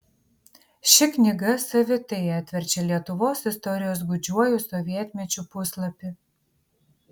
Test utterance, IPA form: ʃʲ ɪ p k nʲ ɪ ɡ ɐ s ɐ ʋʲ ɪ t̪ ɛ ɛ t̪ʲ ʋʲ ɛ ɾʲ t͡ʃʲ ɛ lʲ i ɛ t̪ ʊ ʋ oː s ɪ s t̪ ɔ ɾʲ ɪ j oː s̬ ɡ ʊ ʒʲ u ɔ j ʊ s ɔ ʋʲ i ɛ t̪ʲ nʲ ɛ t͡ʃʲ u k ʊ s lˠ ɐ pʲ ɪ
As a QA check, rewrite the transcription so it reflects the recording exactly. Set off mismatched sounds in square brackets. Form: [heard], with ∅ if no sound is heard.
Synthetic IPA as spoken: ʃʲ ɪ [∅] k nʲ ɪ ɡ ɐ s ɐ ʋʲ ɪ t̪ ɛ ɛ t̪ʲ ʋʲ ɛ ɾʲ t͡ʃʲ ɛ lʲ i ɛ t̪ ʊ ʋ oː s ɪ s t̪ ɔ ɾʲ ɪ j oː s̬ ɡ ʊ [d͡ʒʲ] u ɔ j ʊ s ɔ ʋʲ i ɛ t̪ʲ [mʲ] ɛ t͡ʃʲ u [p] ʊ s lˠ ɐ pʲ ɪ